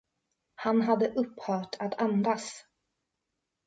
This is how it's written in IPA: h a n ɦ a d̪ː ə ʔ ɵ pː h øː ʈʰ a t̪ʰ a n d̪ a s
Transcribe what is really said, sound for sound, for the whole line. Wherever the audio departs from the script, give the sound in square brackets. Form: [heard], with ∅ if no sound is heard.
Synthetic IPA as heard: h a n ɦ a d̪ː ə ʔ ɵ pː h [œː] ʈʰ a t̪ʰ a n d̪ a s